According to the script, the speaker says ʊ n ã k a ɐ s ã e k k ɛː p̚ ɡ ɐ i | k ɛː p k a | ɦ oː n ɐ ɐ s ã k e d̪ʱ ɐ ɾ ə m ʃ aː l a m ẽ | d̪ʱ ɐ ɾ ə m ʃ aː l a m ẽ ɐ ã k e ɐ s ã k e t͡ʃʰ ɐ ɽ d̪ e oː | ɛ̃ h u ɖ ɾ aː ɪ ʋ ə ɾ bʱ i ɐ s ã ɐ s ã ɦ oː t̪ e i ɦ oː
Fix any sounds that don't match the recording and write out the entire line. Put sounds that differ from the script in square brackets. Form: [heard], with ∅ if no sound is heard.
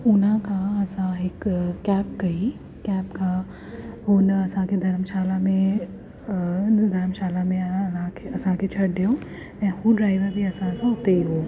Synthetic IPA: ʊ n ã k a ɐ s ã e k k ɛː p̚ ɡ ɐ i | k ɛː p k a | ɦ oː n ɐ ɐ s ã k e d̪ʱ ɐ ɾ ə m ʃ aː l a m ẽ | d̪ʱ ɐ ɾ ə m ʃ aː l a m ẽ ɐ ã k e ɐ s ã k e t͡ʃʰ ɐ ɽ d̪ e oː | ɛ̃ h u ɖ ɾ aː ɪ ʋ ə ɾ bʱ i ɐ s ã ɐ s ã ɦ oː t̪ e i ɦ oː

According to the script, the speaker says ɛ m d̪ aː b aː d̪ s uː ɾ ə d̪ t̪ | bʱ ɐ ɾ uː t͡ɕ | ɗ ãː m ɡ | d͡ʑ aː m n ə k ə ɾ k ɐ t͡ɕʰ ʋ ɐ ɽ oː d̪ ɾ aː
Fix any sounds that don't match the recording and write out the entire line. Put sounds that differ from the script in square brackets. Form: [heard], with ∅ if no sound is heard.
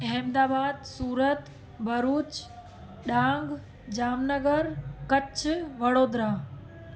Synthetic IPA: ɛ m d̪ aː b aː d̪ s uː ɾ ə [∅] t̪ | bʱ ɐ ɾ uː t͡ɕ | ɗ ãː [ŋ] ɡ | d͡ʑ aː m n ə [ɡ] ə ɾ k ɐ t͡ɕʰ ʋ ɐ ɽ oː d̪ ɾ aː

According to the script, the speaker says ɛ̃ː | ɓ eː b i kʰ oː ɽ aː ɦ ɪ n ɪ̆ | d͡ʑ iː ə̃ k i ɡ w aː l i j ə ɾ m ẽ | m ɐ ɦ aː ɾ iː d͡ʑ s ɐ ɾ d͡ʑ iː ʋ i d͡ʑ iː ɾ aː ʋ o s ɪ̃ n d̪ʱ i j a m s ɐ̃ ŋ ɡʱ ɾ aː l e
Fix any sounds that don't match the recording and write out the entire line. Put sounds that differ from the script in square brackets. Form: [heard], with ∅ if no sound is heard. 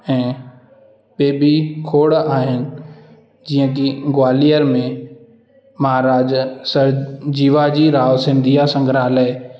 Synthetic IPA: ɛ̃ː | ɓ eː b i kʰ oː ɽ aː ɦ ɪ n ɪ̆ | d͡ʑ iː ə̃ k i ɡ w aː l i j ə ɾ m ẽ | m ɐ ɦ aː ɾ [aː] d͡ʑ s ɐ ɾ d͡ʑ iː ʋ [a] d͡ʑ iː ɾ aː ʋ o s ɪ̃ n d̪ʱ i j a [∅] s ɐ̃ ŋ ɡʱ ɾ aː l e

